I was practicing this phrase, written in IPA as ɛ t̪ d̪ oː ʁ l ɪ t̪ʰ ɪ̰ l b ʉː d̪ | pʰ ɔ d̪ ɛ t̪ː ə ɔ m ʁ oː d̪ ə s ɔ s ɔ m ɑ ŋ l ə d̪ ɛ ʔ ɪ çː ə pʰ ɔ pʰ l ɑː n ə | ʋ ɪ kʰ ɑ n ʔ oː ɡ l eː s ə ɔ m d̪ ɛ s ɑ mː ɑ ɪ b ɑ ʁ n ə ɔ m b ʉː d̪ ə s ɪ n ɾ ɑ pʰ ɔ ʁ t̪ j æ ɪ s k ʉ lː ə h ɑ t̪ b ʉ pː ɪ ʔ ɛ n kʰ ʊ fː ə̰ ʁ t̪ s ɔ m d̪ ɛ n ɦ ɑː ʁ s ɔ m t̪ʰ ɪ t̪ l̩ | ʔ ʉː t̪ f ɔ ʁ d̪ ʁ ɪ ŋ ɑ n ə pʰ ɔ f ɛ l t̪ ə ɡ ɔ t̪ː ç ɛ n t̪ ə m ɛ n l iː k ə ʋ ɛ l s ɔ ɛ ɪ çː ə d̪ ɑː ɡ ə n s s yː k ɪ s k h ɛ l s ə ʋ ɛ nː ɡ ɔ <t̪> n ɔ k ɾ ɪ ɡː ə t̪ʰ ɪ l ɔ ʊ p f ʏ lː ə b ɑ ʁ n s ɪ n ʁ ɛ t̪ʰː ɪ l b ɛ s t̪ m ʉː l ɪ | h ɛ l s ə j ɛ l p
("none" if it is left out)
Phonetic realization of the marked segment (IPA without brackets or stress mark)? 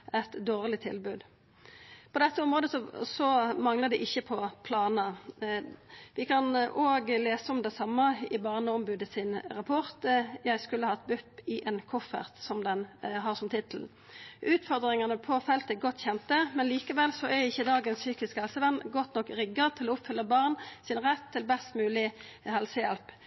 t̪